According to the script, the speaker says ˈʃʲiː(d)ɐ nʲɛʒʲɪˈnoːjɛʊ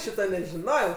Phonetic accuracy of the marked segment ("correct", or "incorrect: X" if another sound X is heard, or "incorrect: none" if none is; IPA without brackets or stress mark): incorrect: t